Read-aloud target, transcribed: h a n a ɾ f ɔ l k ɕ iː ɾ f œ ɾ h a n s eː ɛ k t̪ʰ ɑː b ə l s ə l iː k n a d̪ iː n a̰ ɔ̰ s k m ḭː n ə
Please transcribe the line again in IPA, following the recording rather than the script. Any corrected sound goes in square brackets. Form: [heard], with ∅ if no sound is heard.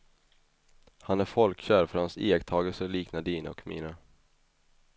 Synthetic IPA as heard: h a n [æ] ɾ f ɔ l k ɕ [æː] ɾ f œ ɾ h a n s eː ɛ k t̪ʰ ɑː [ɡ] ə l s ə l iː k n a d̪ iː n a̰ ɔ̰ [∅] k m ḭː n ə